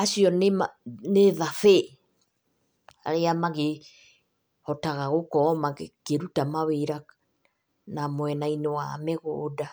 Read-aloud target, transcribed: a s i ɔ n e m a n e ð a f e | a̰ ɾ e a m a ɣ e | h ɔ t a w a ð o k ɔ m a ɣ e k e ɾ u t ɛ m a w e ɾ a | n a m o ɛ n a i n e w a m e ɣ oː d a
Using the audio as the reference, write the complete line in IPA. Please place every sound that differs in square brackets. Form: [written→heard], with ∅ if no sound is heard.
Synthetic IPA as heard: a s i ɔ n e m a n e ð a f e | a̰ ɾ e a m a ɣ e | h ɔ t a [w→ɣ] a [ð→ɣ] o k ɔ m a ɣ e k e ɾ u t [ɛ→a] m a w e ɾ a | n a m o ɛ n a i n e w a m e ɣ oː d a